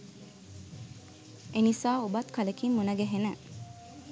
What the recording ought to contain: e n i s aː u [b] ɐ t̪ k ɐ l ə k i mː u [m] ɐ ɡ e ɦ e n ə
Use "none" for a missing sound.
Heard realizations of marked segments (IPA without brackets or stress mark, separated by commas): b, n